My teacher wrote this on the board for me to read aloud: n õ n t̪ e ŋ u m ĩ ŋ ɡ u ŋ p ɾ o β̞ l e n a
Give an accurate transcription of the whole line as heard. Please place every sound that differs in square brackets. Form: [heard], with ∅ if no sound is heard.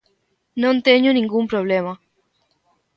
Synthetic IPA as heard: n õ n t̪ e [ɲ] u [n] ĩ ŋ ɡ u [m] p ɾ o β̞ l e [m] a